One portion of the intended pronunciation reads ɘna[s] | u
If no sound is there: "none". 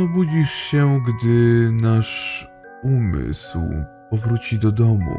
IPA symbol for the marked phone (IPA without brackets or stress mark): ʂ